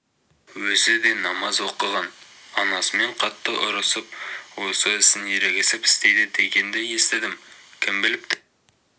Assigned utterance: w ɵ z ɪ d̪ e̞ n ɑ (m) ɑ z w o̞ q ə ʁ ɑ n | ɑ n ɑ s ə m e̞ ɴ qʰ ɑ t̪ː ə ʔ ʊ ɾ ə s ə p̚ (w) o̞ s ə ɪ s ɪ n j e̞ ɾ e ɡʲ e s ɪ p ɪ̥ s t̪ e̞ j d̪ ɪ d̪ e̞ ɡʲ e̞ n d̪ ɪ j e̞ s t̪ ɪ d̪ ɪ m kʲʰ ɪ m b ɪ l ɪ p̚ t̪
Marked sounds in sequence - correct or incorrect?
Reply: correct, correct

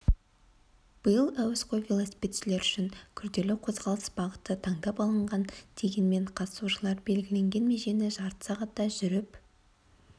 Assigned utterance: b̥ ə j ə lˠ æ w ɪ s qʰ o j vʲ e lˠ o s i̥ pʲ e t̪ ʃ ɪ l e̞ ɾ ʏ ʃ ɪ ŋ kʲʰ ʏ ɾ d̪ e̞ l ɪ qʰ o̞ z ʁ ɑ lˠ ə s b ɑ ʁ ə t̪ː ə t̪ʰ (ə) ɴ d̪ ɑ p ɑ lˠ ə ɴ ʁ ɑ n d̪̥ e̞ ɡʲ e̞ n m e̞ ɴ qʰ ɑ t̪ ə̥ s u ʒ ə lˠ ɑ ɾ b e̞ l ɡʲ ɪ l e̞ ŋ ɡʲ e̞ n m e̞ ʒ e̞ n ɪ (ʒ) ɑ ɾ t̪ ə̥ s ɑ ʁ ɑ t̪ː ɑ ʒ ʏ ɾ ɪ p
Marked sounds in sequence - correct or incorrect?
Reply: incorrect: ɑ, correct

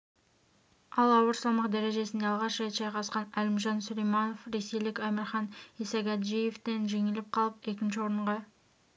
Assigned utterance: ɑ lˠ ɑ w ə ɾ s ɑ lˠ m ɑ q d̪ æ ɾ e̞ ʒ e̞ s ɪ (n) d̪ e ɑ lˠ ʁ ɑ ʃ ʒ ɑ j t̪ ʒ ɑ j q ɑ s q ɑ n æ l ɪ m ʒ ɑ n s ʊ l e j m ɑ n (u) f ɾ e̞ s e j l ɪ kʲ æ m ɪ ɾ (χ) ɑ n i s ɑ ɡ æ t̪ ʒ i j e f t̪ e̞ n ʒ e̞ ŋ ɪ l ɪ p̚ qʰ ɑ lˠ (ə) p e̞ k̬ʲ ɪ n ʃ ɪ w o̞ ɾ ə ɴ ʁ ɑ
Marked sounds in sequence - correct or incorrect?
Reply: correct, incorrect: o, correct, correct

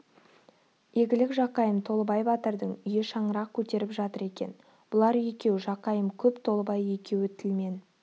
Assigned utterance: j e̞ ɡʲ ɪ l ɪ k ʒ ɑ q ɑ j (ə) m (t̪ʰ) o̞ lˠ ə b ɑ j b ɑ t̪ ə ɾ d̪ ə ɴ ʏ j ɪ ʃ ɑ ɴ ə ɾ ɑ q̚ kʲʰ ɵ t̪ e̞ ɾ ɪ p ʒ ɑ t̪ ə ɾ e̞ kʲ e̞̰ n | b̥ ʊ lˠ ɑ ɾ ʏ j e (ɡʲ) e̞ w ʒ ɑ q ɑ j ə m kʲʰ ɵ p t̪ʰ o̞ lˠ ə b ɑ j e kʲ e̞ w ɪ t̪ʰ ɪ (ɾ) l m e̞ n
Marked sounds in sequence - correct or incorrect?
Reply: correct, correct, incorrect: kʲ, incorrect: none

